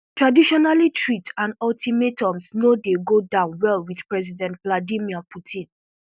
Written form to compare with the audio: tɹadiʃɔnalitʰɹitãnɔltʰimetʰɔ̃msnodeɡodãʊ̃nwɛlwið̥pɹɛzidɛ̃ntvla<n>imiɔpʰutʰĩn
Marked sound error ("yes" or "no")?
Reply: yes